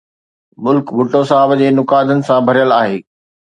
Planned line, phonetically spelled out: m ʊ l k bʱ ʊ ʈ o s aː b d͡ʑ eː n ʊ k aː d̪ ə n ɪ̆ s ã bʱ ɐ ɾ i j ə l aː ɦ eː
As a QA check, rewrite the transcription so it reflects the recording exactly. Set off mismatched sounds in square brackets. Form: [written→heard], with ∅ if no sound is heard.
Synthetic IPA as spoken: m ʊ l k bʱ ʊ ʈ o s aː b d͡ʑ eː n ʊ k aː d̪ ə n ɪ̆ s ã bʱ ɐ ɾ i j ə l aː ɦ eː